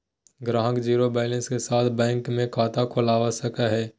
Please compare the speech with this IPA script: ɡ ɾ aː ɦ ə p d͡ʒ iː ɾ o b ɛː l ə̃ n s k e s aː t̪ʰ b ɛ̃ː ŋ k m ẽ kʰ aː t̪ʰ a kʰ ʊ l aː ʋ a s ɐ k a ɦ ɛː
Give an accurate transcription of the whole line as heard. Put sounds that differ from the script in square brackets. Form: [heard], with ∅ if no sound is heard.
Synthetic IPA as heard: ɡ ɾ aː ɦ ə [k] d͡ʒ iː ɾ o b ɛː l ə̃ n s k e s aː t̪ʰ b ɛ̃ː ŋ k m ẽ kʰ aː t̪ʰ a kʰ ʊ l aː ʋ a s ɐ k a ɦ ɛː